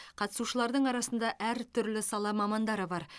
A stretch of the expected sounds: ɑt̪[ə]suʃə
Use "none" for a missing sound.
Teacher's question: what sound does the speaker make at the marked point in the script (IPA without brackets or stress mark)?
ə